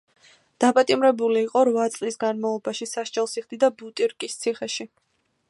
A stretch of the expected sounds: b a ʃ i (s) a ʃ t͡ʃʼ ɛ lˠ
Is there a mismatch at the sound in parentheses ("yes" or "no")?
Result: no